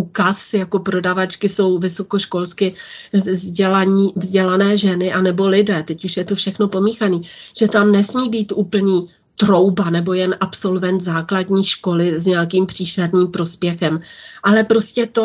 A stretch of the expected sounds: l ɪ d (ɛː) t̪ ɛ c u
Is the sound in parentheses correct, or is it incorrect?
correct